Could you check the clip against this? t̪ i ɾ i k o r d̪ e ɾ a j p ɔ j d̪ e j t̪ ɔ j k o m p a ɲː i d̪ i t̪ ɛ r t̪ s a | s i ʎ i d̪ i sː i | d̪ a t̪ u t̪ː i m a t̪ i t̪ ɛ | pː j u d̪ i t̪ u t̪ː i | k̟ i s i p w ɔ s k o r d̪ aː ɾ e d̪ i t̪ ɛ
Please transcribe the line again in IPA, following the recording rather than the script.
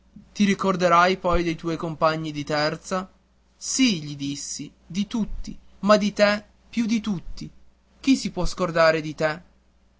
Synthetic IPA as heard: t̪ i ɾ i k o r d̪ e ɾ a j p ɔ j d̪ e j t̪ ɔ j k o m p a ɲː i d̪ i t̪ ɛ r t̪ s a | s i ʎ i d̪ i sː i | d̪ i t̪ u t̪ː i m a d̪ i t̪ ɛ | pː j u d̪ i t̪ u t̪ː i | k̟ i s i p w ɔ s k o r d̪ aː ɾ e d̪ i t̪ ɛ